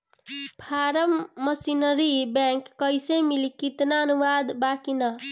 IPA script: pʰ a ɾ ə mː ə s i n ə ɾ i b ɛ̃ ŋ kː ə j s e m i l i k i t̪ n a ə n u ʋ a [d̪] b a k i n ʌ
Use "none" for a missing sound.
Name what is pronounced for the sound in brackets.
d̪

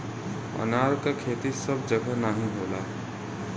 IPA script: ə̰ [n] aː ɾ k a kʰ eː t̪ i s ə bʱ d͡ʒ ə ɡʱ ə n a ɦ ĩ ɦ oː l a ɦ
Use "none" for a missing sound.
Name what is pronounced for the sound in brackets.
n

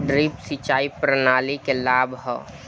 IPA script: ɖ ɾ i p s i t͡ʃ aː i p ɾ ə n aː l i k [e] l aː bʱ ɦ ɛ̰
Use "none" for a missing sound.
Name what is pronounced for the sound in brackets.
e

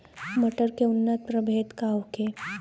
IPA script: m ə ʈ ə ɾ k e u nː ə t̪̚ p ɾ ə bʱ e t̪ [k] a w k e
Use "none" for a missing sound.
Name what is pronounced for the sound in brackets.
k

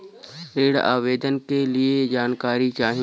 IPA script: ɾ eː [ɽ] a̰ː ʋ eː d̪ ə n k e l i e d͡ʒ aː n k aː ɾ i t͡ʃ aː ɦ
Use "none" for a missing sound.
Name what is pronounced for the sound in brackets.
ɽ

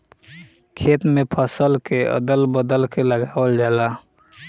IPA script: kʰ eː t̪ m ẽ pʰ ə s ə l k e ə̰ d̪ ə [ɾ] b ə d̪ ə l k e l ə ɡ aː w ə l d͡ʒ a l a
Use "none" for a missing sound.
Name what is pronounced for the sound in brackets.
l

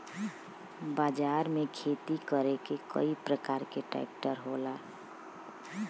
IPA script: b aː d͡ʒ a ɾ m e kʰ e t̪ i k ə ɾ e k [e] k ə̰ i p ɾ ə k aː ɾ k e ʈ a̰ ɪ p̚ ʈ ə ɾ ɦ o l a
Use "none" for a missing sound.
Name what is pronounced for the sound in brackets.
e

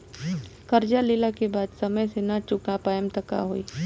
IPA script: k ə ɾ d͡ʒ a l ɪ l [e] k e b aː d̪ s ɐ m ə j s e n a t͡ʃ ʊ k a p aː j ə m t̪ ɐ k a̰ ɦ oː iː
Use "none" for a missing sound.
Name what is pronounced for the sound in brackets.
a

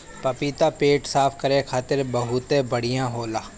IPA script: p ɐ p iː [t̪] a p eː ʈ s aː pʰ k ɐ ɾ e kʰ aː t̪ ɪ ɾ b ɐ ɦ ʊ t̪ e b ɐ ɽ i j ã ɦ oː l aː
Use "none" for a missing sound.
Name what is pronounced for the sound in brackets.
t̪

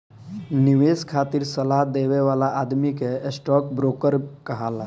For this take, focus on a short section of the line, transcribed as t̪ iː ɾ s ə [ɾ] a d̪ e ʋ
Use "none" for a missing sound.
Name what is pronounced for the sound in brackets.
l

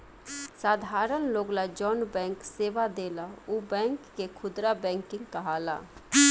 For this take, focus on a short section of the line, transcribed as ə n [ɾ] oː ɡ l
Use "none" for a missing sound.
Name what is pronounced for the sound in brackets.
l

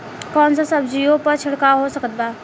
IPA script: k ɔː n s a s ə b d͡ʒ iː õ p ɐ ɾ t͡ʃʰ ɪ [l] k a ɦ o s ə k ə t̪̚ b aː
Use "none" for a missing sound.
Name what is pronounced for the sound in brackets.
ɽ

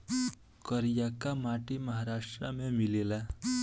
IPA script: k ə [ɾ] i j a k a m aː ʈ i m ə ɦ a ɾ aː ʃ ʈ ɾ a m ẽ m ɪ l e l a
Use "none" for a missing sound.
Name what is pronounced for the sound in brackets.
ɾ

